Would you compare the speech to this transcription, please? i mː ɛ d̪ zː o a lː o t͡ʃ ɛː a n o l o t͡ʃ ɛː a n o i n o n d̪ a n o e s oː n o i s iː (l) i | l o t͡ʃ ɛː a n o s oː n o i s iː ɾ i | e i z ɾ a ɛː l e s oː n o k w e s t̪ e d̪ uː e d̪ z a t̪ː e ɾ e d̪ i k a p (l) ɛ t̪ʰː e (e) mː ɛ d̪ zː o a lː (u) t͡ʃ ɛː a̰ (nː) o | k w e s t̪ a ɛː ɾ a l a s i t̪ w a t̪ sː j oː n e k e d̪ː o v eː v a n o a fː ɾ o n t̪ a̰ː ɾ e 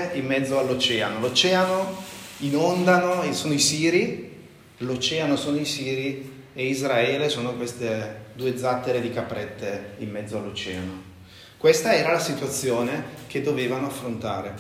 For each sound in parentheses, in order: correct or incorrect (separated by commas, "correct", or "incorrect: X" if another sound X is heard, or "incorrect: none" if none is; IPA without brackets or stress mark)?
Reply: incorrect: ɾ, incorrect: ɾ, incorrect: i, incorrect: o, incorrect: n